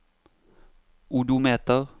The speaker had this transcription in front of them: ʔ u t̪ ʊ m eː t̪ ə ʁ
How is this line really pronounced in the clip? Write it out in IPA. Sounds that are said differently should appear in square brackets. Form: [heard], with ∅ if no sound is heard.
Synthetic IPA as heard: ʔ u [d̪] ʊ m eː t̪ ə ʁ

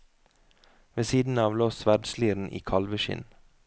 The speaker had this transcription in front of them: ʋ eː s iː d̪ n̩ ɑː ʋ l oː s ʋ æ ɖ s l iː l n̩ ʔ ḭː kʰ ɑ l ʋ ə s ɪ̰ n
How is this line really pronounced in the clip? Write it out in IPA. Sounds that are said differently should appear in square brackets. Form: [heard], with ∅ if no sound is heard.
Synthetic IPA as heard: ʋ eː s iː d̪ n̩ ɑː ʋ l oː s ʋ æ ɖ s l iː [ɾ] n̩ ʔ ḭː kʰ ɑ l ʋ ə [ʃ] ɪ̰ n

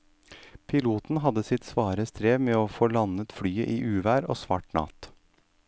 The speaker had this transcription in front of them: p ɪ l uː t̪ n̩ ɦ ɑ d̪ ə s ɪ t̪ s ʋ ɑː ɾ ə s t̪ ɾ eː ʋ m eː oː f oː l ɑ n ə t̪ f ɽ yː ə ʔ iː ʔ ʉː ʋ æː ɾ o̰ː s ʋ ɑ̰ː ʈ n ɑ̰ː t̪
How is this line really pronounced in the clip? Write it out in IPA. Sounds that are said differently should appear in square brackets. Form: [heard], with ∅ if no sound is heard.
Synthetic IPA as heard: [pʰ] ɪ l uː t̪ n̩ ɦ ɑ d̪ ə s ɪ t̪ s ʋ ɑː ɾ ə s t̪ ɾ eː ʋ m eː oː f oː l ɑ n ə t̪ f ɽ yː ə ʔ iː ʔ ʉː ʋ æː ɾ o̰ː s ʋ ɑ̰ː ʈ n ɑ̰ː t̪

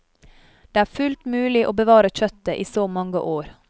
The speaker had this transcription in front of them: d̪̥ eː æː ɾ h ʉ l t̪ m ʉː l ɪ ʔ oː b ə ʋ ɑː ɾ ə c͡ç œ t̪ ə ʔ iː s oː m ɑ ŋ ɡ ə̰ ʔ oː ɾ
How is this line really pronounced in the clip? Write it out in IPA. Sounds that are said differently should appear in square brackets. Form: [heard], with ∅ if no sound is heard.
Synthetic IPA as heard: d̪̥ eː æː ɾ [f] ʉ l t̪ m ʉː l ɪ ʔ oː b ə ʋ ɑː ɾ ə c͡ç œ t̪ ə ʔ iː s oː m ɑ ŋ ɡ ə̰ ʔ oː ɾ

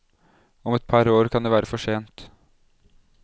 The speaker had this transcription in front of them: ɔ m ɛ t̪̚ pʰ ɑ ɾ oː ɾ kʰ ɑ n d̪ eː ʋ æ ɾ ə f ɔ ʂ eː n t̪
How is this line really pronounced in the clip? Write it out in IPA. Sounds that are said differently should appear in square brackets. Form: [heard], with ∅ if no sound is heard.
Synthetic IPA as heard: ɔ m ɛ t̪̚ pʰ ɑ ɾ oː ɾ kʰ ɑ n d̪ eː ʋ [æː] ɾ ə f ɔ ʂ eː n t̪

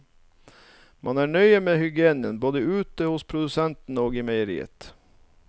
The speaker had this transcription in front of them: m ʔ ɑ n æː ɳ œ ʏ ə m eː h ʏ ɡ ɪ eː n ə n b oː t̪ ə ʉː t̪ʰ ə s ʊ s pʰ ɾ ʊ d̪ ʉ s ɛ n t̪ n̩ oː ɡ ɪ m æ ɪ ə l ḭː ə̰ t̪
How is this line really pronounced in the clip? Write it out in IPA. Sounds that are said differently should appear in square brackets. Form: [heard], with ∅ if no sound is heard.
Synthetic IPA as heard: m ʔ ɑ n æː ɳ œ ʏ ə m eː h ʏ ɡ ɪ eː n ə n b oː [d̪] ə ʉː [t̪] ə [h] ʊ s pʰ ɾ ʊ d̪ ʉ s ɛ n t̪ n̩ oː ɡ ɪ m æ ɪ ə [ɾ] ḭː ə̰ t̪

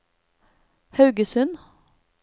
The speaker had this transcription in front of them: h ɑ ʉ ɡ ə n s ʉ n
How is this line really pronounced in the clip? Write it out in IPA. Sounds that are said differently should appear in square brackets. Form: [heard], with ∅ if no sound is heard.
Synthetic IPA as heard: h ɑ ʉ ɡ ə [∅] s ʉ n

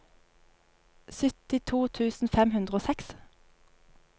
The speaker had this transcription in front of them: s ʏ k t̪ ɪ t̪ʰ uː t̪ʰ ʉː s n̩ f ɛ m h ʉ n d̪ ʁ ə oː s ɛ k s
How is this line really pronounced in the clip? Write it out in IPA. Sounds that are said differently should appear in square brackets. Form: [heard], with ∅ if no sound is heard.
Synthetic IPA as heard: s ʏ [∅] t̪ ɪ t̪ʰ uː t̪ʰ ʉː s n̩ f ɛ m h ʉ n d̪ ʁ ə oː s ɛ k s

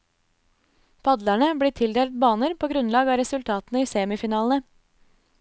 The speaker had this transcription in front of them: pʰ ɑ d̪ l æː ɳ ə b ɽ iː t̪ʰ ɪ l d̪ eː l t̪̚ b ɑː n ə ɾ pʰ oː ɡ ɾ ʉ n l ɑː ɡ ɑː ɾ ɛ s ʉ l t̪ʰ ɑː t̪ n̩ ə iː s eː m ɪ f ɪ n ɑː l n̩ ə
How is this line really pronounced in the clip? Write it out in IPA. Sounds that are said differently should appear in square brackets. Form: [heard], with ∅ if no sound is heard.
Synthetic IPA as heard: pʰ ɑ d̪ l [æ] ɳ ə b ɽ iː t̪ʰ ɪ l d̪ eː l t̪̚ b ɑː n ə ɾ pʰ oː ɡ ɾ ʉ n l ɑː ɡ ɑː ɾ ɛ s ʉ l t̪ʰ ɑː t̪ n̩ ə iː s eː m ɪ f ɪ n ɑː l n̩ ə

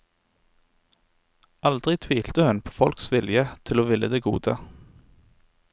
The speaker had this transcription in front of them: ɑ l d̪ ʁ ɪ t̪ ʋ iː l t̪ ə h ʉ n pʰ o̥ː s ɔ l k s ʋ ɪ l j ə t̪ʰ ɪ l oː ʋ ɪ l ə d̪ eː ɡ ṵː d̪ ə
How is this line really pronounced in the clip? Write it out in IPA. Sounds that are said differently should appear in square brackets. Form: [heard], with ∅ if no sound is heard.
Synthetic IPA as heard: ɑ l d̪ ʁ ɪ [t̪ʰ] ʋ iː l t̪ ə h ʉ n pʰ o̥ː [f] ɔ l k s ʋ ɪ l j ə t̪ʰ ɪ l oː ʋ ɪ l ə d̪ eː ɡ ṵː d̪ ə

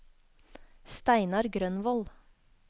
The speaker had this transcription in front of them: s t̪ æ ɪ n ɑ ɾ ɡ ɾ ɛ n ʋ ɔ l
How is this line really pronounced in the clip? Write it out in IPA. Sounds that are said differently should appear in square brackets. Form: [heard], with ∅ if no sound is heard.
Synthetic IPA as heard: s t̪ æ ɪ n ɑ ɾ ɡ ɾ [œ] n ʋ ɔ l

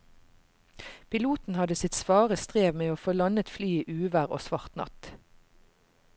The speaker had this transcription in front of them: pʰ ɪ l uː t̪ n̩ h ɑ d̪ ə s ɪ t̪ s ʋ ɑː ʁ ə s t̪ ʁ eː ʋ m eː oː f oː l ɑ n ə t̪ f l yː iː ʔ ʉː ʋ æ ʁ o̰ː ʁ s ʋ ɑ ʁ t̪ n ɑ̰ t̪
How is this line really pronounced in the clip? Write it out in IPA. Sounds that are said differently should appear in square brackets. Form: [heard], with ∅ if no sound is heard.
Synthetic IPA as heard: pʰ ɪ l uː t̪ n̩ h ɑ d̪ ə s ɪ t̪ s ʋ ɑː ʁ ə s t̪ ʁ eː ʋ m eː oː f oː l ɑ n ə t̪ f l yː iː ʔ ʉː ʋ æ ʁ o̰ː [∅] s ʋ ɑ ʁ t̪ n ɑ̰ t̪

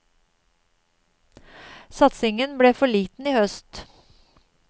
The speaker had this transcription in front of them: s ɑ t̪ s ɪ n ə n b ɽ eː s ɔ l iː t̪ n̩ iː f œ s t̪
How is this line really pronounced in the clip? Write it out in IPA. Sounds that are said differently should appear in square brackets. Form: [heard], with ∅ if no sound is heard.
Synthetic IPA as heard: s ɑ t̪ s ɪ [ŋ] ə n b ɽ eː [f] ɔ [ɭ] iː t̪ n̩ iː [h] œ s t̪

